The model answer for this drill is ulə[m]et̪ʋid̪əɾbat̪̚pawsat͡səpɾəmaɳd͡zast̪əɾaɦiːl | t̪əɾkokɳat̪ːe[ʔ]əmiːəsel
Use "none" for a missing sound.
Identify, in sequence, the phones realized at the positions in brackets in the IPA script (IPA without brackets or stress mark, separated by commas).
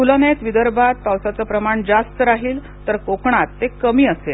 n, k